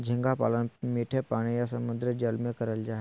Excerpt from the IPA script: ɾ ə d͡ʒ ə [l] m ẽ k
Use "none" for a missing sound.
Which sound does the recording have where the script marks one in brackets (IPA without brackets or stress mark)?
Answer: l